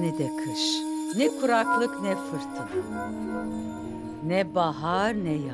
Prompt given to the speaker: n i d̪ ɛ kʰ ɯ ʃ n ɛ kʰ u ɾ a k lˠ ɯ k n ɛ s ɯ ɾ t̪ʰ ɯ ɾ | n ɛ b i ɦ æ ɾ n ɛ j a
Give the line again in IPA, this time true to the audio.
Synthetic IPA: n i d̪ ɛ kʰ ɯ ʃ n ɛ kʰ u ɾ a k lˠ ɯ k n ɛ f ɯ ɾ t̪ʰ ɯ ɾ | n ɛ b a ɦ a ɾ n ɛ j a